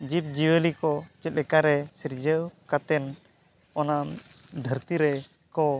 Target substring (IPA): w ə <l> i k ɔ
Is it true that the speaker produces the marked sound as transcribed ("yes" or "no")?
yes